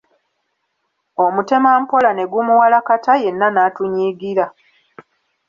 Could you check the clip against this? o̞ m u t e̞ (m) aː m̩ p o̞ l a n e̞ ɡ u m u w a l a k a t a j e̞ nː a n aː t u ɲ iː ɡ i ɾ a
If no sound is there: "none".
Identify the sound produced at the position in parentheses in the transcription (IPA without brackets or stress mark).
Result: m